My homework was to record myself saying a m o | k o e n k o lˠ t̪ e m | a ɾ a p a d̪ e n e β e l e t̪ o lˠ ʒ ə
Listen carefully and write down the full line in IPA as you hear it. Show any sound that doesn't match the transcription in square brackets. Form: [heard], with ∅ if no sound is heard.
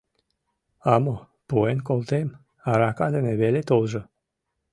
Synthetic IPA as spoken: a m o | [p] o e n k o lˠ t̪ e m | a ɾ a [k] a d̪ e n e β e l e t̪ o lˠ ʒ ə